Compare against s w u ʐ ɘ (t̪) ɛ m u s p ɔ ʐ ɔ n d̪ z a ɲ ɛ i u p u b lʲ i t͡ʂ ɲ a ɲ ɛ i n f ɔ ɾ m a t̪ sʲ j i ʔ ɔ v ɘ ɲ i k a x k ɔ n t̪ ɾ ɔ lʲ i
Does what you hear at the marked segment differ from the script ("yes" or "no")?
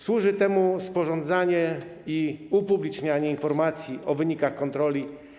no